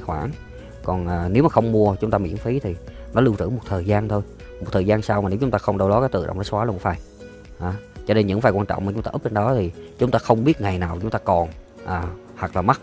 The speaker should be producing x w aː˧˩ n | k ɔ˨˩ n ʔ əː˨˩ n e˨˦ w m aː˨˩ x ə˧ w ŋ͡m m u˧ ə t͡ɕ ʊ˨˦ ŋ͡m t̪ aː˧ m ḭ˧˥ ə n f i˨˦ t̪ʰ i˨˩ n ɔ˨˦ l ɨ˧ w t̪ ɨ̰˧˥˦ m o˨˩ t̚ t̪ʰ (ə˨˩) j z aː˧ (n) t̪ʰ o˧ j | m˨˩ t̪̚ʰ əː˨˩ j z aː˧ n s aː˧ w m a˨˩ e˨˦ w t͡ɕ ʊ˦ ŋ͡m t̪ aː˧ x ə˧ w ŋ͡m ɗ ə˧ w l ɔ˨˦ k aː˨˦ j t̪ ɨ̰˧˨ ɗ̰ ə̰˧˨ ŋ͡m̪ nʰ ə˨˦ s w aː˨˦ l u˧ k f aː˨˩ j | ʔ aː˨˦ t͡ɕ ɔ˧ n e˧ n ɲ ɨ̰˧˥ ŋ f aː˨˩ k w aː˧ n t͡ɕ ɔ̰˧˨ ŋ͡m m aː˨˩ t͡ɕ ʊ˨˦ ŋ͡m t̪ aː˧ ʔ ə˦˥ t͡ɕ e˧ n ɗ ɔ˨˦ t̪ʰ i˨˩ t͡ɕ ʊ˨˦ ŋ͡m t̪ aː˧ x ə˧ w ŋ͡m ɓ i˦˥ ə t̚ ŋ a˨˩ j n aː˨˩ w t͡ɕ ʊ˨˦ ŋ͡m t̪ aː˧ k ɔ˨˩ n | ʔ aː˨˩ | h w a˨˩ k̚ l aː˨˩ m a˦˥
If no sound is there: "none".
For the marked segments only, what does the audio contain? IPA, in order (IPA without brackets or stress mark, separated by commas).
əː˨˩, n